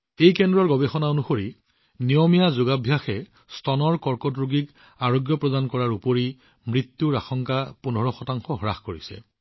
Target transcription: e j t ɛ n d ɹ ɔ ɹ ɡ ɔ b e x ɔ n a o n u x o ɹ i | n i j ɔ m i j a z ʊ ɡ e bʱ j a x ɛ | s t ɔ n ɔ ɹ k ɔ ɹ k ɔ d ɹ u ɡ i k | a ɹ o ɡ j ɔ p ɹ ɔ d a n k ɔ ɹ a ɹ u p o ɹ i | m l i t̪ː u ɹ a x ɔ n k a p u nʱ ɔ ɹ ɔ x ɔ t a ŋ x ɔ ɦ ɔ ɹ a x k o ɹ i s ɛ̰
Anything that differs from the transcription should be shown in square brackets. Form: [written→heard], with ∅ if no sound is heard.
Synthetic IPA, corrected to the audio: e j [t→k] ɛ n d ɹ ɔ ɹ ɡ ɔ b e x ɔ n a o n u x o ɹ i | n i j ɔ m i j a z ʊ ɡ [e→a] bʱ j a x ɛ | s t ɔ n ɔ ɹ k ɔ ɹ k ɔ d ɹ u ɡ i k | a ɹ o ɡ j ɔ p ɹ ɔ d a n k ɔ ɹ a ɹ u p o ɹ i | m [l→ɹ] i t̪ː u ɹ a x ɔ [n→ŋ] k a p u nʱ ɔ ɹ ɔ x ɔ t a ŋ x ɔ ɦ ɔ ɹ a x k o ɹ i s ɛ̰